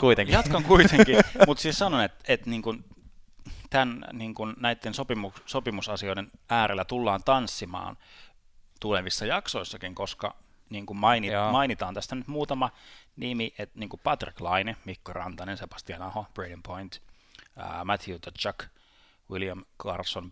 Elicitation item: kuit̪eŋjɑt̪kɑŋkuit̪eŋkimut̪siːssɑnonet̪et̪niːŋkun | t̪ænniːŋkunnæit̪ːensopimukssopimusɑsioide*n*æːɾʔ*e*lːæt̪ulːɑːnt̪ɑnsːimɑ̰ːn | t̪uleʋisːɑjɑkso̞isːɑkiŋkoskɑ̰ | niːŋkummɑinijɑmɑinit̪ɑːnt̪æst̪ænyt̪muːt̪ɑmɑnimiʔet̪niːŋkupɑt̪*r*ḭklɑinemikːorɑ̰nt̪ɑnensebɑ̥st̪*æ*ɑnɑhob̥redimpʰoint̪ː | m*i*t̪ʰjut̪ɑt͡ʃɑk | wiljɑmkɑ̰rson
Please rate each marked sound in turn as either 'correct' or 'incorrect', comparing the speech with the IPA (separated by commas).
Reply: correct, correct, correct, incorrect, incorrect